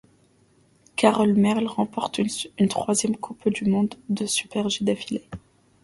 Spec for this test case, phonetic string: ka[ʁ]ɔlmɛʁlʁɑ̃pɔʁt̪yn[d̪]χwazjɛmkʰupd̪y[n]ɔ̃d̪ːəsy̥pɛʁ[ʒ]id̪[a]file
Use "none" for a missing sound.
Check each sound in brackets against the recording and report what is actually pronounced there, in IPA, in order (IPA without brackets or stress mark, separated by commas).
ʁ, t̪, m, ʒ, a